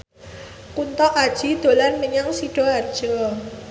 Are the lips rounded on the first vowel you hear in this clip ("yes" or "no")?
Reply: yes